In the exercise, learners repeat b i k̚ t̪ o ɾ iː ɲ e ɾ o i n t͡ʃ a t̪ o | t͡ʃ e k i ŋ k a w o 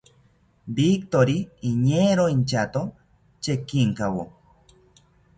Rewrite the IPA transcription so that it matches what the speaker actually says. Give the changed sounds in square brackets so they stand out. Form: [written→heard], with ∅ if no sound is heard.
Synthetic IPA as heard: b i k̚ t̪ o ɾ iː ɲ e ɾ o i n t͡ʃ a t̪ o | t͡ʃ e k i ŋ k a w o